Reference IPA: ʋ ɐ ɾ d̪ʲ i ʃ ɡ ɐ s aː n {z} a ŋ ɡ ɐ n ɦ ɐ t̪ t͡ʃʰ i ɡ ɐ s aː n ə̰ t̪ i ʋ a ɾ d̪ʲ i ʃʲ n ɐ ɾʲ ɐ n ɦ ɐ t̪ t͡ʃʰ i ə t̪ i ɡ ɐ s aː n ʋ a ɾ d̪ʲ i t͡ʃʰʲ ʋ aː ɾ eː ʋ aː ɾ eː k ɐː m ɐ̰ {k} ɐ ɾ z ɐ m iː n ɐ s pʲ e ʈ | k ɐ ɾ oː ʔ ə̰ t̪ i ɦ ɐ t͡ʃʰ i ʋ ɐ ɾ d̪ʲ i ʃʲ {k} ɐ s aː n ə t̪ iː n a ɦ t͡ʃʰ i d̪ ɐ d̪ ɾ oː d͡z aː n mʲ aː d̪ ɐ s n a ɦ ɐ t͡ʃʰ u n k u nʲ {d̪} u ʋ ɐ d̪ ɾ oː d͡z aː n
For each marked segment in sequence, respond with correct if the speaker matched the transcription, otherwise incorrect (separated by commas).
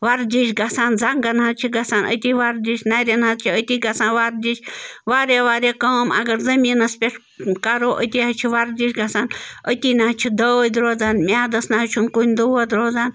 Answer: correct, incorrect, incorrect, correct